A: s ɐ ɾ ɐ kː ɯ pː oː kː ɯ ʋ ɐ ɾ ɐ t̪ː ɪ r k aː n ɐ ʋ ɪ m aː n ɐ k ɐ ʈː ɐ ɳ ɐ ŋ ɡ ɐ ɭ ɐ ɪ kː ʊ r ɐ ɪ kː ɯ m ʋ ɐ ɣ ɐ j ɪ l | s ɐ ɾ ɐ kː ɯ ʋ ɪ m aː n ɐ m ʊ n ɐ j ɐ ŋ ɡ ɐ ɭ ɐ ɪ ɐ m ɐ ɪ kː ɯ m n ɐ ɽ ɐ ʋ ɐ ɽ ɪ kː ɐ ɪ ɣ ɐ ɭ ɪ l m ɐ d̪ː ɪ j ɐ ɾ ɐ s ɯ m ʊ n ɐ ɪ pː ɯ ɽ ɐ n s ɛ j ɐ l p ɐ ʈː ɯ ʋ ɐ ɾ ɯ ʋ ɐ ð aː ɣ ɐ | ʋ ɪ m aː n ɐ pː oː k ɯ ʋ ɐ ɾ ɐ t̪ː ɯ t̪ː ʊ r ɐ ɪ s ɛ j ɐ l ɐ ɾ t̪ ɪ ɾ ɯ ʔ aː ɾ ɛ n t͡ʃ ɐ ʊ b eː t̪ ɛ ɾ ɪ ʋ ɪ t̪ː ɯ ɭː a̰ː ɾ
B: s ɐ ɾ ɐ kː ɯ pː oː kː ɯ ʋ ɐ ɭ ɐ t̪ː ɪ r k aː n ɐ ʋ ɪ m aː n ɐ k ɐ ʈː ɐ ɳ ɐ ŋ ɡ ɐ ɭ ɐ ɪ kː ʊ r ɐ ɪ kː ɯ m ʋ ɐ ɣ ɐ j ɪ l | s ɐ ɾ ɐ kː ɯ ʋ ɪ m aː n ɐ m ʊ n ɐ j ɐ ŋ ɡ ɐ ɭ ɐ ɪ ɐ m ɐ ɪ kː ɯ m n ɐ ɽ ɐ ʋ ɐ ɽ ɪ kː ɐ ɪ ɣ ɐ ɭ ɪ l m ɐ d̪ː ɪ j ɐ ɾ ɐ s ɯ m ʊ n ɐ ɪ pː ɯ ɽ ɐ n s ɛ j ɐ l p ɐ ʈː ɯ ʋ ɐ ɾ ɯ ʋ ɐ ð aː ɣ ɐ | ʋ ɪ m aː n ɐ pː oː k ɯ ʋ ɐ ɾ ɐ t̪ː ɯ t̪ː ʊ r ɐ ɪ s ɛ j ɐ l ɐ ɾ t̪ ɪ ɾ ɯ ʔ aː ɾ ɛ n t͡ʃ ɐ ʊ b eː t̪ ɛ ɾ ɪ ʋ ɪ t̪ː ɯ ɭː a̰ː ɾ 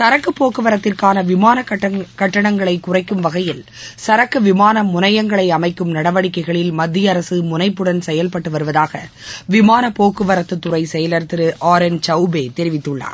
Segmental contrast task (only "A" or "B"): A